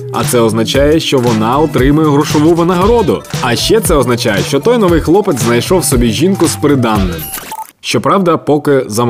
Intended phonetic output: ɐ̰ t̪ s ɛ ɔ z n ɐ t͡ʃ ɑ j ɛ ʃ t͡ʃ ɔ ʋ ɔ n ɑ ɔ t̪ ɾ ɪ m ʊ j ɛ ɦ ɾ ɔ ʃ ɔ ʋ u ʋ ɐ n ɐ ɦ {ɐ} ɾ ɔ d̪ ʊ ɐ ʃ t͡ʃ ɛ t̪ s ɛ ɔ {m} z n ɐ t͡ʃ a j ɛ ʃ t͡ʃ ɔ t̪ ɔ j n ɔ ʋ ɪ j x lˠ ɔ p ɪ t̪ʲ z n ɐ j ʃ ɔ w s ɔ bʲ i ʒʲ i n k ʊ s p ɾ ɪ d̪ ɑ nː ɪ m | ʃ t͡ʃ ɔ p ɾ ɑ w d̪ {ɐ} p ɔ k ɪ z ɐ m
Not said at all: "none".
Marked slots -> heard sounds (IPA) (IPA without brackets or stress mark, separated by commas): ɐ, none, ɐ